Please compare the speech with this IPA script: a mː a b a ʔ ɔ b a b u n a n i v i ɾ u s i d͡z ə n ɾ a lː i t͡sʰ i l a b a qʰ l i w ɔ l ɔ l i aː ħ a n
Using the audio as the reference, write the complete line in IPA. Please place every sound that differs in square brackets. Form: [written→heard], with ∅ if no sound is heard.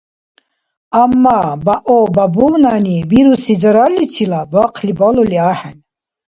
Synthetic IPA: a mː a b a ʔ ɔ b a b u n a n i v i ɾ u s i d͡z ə [n→∅] ɾ a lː i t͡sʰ i l a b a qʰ l i [w→b] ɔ l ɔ l i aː ħ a n